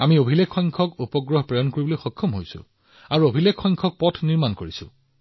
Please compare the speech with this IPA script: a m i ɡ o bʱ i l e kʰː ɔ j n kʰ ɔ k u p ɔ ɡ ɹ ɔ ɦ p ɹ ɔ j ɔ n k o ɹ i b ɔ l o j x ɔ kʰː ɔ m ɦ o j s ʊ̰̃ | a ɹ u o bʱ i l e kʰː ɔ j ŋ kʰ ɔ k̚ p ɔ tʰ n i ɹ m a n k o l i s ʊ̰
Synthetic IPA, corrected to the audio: a m i o bʱ i l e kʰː ɔ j ŋ kʰ ɔ k u p ɔ ɡ ɹ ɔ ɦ p ɹ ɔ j ɔ n k o ɹ i b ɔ l o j x ɔ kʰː ɔ m ɦ o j s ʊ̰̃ | a ɹ u o bʱ i l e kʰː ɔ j ŋ kʰ ɔ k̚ p ɔ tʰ n i ɹ m a n k o ɹ i s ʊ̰